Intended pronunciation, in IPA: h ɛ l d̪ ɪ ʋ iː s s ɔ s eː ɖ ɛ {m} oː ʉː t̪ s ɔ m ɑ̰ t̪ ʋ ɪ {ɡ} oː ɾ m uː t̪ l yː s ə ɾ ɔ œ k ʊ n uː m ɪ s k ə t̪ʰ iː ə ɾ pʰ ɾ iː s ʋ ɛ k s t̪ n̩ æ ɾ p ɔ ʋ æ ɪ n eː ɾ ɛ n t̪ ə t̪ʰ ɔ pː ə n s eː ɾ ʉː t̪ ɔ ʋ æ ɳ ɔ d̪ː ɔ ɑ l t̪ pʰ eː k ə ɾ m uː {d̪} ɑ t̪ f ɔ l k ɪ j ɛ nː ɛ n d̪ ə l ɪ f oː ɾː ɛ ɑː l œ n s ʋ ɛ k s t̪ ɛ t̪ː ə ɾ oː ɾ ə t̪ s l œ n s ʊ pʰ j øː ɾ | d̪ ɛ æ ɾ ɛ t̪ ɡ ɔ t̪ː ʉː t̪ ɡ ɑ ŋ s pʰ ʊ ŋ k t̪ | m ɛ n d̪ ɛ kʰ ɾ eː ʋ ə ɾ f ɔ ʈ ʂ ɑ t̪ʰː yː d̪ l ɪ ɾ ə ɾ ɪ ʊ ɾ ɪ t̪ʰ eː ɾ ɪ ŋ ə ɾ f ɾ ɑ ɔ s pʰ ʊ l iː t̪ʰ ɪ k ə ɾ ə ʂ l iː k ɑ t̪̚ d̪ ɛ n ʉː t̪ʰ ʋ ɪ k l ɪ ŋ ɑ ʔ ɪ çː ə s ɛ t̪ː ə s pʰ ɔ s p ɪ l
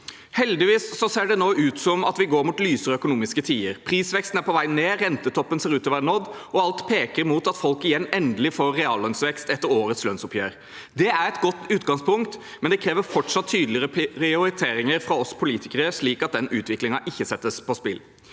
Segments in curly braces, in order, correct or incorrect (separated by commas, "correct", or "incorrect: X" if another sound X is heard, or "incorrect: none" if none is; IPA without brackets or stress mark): incorrect: n, correct, incorrect: t̪